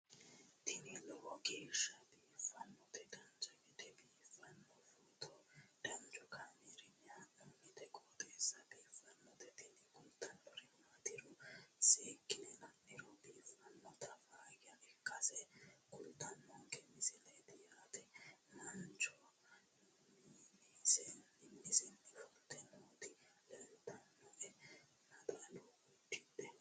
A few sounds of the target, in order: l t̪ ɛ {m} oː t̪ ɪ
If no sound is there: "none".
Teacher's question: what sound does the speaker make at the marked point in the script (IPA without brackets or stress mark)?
n